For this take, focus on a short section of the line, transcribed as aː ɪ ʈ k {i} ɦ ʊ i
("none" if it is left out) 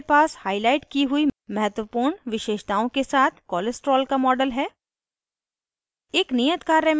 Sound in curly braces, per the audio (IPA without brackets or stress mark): i